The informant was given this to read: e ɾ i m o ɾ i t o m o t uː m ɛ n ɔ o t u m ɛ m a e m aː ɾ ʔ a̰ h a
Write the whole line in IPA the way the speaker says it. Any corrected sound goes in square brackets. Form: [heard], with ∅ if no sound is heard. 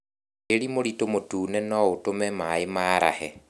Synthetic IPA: e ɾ i m o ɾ i t o m o t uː [n] ɛ n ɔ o t [o] m ɛ m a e m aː ɾ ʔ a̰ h [ɛ]